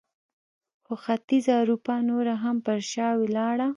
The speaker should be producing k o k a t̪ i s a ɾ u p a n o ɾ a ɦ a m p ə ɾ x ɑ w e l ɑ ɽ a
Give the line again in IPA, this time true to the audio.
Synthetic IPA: x o x a t̪ i z a ɾ u p a n o ɾ a ɦ a m p ə ɾ ʃ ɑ w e l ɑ ɽ a